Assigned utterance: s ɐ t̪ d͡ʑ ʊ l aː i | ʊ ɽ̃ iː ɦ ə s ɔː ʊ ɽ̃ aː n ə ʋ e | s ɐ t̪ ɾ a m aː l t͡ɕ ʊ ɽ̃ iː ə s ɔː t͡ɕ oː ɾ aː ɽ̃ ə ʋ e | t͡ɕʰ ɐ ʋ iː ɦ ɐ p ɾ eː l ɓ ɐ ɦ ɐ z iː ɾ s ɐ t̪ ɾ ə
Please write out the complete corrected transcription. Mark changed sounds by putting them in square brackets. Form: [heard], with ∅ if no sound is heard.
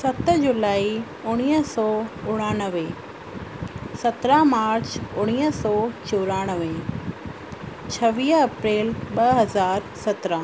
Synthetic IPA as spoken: s ɐ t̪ d͡ʑ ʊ l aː i | ʊ ɽ̃ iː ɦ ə s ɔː ʊ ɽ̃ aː n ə ʋ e | s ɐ t̪ ɾ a m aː [ɾ] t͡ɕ ʊ ɽ̃ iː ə s ɔː t͡ɕ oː ɾ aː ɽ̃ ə ʋ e | t͡ɕʰ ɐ ʋ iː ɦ ɐ p ɾ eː l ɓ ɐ ɦ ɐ z [aː] ɾ s ɐ t̪ ɾ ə